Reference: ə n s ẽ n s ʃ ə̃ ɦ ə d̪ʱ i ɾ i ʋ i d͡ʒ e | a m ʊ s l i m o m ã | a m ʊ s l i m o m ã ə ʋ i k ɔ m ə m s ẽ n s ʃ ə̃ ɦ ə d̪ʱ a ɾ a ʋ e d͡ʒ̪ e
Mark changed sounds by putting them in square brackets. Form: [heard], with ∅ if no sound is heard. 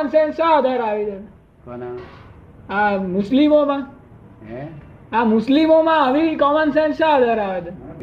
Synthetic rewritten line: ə n s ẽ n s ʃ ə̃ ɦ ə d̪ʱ [a] ɾ [a] ʋ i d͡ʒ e | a m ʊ s l i m o m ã | a m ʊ s l i m o m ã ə ʋ i k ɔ m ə [n] s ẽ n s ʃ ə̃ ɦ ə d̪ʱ a ɾ a ʋ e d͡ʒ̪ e